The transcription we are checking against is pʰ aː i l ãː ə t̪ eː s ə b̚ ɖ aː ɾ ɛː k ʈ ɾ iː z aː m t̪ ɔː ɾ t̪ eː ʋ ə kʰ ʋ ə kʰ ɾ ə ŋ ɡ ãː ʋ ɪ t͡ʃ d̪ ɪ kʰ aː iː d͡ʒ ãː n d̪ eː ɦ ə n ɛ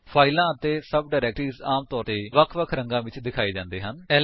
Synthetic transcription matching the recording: pʰ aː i l ãː ə t̪ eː s ə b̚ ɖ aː ɾ ɛː k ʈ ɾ iː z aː m t̪ ɔː ɾ t̪ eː ʋ ə kʰ ʋ ə kʰ ɾ ə ŋ ɡ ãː ʋ ɪ t͡ʃ d̪ ɪ kʰ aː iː d͡ʒ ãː n d̪ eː ɦ ə n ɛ

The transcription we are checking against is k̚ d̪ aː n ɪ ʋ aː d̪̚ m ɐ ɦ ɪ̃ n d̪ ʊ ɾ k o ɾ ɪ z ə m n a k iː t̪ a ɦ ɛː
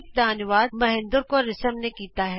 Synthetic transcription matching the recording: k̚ d̪ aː n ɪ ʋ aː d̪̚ m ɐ ɦ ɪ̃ n d̪ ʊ ɾ k o ɾ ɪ s ə m n e k iː t̪ a ɦ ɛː

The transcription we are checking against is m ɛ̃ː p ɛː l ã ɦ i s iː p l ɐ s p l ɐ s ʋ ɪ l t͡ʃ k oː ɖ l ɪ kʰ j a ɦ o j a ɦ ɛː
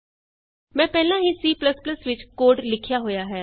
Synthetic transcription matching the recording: m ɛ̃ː p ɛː l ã ɦ i s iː p l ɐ s p l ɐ s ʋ ɪ t͡ʃ k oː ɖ l ɪ kʰ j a ɦ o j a ɦ ɛː

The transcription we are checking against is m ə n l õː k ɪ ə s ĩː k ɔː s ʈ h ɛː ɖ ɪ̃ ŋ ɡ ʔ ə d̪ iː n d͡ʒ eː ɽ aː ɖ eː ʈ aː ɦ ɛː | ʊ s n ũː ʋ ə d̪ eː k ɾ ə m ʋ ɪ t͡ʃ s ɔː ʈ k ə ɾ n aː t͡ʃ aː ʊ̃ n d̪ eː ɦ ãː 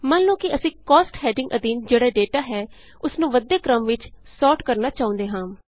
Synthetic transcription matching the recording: m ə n l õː k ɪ ə s ĩː k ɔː s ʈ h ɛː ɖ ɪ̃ ŋ ɡ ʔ ə d̪ iː n d͡ʒ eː ɽ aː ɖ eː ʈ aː ɦ ɛː | ʊ s n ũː ʋ ə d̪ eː k ɾ ə m ʋ ɪ t͡ʃ s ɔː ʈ k ə ɾ n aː t͡ʃ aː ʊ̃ n d̪ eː ɦ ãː

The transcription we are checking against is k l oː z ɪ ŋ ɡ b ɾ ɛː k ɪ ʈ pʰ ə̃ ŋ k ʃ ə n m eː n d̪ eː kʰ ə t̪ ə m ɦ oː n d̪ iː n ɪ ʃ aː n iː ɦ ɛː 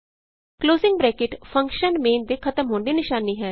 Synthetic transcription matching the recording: k l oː z ɪ ŋ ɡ b ɾ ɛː k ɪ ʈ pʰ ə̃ ŋ k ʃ ə n m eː n d̪ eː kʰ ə t̪ ə m ɦ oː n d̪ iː n ɪ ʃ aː n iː ɦ ɛː

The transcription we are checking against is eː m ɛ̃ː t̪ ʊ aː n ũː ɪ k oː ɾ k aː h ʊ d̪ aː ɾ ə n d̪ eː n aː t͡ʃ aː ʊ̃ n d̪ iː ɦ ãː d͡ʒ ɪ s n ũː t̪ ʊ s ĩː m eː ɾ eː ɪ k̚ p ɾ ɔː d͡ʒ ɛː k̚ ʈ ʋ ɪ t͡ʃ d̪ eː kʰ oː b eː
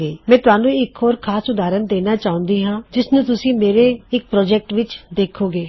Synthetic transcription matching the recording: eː m ɛ̃ː t̪ ʊ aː n ũː ɪ k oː ɾ kʰ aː s ʊ d̪ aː ɾ ə n d̪ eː n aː t͡ʃ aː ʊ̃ n d̪ iː ɦ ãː d͡ʒ ɪ s n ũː t̪ ʊ s ĩː m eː ɾ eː ɪ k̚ p ɾ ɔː d͡ʒ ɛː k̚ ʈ ʋ ɪ t͡ʃ d̪ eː kʰ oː ɡ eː

